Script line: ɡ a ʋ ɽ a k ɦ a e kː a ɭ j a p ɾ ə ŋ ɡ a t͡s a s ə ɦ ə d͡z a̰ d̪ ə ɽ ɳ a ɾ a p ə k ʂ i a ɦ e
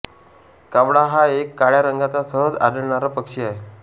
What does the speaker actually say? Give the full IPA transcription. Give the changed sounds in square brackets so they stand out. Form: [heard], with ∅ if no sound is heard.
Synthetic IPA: [k] a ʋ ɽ a [∅] ɦ a e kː a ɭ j a [∅] ɾ ə ŋ ɡ a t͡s a s ə ɦ ə d͡z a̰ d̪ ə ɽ ɳ a ɾ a p ə k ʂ i a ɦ e

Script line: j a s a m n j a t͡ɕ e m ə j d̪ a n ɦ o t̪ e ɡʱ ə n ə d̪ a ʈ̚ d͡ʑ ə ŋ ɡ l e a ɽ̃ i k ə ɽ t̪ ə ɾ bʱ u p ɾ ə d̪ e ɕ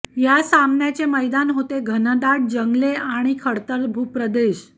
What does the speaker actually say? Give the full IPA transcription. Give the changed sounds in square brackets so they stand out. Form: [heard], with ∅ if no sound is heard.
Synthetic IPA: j a s a m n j a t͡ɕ e m ə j d̪ a n ɦ o t̪ e ɡʱ ə n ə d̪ a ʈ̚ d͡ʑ ə ŋ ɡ l e a ɽ̃ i [kʰ] ə ɽ t̪ ə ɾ bʱ u p ɾ ə d̪ e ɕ

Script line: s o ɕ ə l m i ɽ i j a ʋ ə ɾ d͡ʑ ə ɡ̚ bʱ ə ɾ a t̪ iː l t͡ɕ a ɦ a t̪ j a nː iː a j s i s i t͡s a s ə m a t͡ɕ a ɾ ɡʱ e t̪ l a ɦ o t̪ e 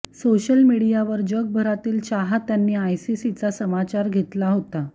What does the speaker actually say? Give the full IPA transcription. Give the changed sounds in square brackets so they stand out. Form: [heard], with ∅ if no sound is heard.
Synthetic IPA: s o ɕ ə l m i ɽ i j a ʋ ə ɾ d͡ʑ ə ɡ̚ bʱ ə ɾ a t̪ iː l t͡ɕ a ɦ a t̪ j a nː iː a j s i s i t͡s a s ə m a t͡ɕ a ɾ ɡʱ e t̪ l a ɦ o t̪ [a]

